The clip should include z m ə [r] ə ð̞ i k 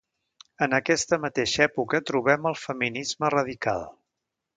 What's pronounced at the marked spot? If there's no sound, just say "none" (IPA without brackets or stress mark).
r